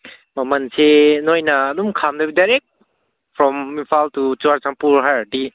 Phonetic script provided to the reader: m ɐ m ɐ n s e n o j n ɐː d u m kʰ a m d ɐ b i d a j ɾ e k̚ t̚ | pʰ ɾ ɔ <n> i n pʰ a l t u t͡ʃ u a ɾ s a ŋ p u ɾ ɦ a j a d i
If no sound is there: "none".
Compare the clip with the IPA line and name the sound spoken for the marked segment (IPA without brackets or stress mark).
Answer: m